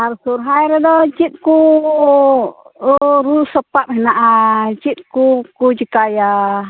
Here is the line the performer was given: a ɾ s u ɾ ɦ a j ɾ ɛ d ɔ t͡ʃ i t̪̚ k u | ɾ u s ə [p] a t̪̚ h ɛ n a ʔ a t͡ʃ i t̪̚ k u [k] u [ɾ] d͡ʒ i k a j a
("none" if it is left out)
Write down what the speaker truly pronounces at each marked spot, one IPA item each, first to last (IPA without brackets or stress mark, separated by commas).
p, k, none